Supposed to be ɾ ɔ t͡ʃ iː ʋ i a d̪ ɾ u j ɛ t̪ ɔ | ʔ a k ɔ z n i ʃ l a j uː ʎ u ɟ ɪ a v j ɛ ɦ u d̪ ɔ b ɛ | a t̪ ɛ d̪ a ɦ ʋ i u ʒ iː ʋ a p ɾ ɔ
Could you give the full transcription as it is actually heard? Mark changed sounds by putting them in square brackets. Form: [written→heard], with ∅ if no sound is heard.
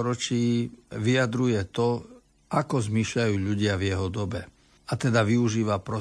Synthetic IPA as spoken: ɾ ɔ t͡ʃ iː ʋ i a d̪ ɾ u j ɛ t̪ ɔ | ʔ a k ɔ z [n→m] i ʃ [l→ʎ] a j uː ʎ u ɟ ɪ a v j ɛ ɦ [u→ɔ] d̪ ɔ b ɛ | a t̪ ɛ d̪ a [ɦ→∅] ʋ i u ʒ iː ʋ a p ɾ ɔ